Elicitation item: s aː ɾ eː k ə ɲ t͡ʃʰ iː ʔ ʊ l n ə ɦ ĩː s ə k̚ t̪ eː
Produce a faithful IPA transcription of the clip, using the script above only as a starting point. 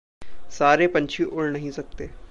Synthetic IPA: s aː ɾ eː p ə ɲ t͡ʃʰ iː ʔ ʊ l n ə ɦ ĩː s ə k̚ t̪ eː